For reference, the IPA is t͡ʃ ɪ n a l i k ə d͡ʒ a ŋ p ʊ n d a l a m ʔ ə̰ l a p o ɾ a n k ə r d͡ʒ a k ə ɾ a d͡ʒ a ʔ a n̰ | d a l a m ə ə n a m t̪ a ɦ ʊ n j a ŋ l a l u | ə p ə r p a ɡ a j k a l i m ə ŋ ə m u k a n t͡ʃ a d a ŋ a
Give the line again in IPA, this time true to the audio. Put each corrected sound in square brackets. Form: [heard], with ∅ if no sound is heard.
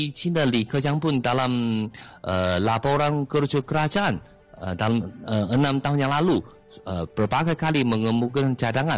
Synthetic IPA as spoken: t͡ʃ [i] n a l i k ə d͡ʒ a ŋ p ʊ n d a l a m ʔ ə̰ l a p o ɾ a n k ə r d͡ʒ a k ə ɾ a d͡ʒ a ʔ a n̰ | d a l a m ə ə n a m t̪ a ɦ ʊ n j a ŋ l a l u | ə p ə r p a ɡ a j k a l i m ə ŋ ə m u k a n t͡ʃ a d a ŋ a